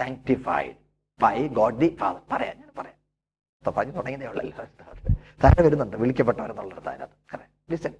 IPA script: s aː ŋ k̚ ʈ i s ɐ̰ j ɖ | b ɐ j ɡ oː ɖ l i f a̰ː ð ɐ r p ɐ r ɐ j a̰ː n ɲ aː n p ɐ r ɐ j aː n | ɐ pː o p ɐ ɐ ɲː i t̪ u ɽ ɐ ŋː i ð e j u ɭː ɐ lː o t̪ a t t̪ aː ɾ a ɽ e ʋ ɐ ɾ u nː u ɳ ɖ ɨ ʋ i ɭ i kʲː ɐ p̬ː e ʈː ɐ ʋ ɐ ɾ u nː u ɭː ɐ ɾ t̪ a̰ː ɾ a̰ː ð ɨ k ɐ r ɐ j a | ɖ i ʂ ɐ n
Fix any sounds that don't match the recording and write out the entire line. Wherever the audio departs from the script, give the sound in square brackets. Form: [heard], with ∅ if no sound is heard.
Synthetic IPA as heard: s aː ŋ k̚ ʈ i [f] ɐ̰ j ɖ | b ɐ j ɡ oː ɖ l i f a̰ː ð ɐ r p ɐ r ɐ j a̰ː n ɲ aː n p ɐ r ɐ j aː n | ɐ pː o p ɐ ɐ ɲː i t̪ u ɽ ɐ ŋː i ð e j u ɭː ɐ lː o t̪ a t t̪ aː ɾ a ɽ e ʋ ɐ ɾ u nː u ɳ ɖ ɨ ʋ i ɭ i kʲː ɐ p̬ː e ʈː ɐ ʋ ɐ ɾ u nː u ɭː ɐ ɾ t̪ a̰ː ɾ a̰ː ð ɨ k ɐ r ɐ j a | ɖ i [s] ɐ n